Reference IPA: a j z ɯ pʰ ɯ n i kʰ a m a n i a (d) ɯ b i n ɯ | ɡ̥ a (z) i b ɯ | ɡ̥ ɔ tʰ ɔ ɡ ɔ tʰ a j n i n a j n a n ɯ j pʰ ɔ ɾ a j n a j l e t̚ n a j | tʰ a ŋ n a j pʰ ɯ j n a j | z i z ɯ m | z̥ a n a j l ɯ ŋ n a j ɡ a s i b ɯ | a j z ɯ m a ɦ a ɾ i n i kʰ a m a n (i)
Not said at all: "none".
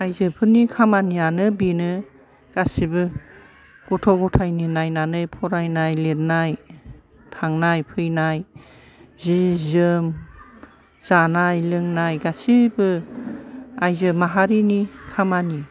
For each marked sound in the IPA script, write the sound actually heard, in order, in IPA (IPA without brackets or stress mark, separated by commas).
n, s, i